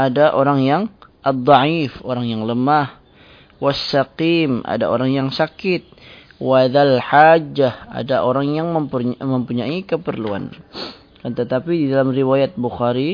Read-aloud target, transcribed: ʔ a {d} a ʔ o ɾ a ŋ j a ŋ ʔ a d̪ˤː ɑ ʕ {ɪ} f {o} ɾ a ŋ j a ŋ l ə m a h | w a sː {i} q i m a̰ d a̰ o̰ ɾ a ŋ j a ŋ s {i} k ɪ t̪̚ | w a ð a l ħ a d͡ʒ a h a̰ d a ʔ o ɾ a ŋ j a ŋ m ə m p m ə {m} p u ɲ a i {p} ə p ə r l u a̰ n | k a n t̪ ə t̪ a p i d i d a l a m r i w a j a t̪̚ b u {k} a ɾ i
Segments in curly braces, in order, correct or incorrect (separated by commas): correct, incorrect, correct, incorrect, incorrect, correct, incorrect, incorrect